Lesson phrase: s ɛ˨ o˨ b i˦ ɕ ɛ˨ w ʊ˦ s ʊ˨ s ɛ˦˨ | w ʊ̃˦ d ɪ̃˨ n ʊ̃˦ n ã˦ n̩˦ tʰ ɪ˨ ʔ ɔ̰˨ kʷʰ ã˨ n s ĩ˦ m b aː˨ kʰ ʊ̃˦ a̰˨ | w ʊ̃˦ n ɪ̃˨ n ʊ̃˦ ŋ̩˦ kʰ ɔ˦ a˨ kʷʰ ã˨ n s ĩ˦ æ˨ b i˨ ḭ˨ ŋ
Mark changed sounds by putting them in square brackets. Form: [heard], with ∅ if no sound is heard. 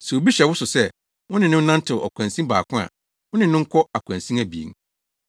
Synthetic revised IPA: s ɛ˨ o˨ b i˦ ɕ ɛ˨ w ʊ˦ s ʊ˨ s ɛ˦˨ | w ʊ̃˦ [n] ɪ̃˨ n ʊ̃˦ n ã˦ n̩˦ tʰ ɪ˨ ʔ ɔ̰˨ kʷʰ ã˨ n s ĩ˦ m b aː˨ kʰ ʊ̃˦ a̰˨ | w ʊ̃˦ n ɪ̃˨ n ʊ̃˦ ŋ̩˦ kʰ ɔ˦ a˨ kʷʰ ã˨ n s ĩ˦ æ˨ b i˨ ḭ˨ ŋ